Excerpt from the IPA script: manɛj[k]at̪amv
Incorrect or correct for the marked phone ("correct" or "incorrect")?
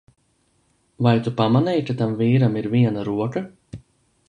correct